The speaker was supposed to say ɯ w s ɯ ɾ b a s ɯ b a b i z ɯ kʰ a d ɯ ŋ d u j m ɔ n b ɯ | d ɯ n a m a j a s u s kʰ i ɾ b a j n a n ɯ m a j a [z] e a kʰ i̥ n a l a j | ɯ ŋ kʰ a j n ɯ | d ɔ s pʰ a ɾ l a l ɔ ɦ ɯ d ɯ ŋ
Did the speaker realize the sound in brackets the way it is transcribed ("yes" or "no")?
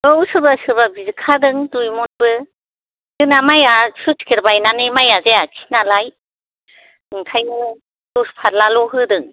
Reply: yes